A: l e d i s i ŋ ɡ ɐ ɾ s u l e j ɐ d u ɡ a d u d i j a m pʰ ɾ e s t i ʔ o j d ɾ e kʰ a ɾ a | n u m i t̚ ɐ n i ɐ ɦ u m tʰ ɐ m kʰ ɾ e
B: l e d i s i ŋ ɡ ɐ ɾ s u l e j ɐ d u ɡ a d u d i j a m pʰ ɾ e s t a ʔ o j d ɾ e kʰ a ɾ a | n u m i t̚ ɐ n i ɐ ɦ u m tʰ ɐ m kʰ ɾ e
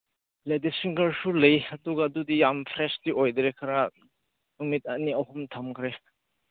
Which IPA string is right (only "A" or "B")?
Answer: A